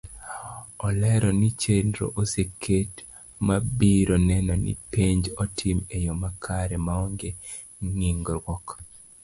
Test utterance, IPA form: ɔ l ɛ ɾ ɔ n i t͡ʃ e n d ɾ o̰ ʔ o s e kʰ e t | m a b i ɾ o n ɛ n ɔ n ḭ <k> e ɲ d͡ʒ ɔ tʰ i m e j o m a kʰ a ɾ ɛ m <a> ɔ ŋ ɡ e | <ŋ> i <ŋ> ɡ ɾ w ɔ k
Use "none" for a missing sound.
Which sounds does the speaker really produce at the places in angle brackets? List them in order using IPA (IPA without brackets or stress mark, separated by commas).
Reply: p, a, ŋ, ŋ